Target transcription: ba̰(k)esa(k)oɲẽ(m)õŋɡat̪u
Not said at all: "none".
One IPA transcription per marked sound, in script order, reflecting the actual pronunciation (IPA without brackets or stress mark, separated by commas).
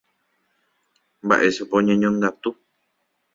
ʔ, p, ɲ